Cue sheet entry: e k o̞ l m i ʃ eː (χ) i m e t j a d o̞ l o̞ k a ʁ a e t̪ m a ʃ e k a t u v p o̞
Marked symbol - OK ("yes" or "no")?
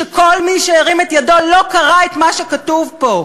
no